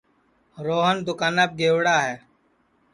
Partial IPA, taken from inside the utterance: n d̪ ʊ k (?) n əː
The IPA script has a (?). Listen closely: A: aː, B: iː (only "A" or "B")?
A